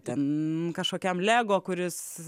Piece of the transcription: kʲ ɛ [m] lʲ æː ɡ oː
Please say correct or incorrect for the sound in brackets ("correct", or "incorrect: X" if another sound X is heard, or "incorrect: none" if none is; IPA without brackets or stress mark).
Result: correct